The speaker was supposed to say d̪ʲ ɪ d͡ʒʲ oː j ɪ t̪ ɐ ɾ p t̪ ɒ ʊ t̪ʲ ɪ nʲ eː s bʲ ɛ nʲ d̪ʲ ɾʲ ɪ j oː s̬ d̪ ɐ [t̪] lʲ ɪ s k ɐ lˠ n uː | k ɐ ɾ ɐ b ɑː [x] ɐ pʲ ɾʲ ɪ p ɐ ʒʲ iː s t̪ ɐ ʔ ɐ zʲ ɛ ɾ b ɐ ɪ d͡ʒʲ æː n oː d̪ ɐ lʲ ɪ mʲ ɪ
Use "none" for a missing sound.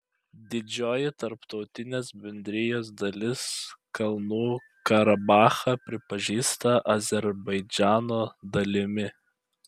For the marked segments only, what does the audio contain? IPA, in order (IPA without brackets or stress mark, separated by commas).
none, x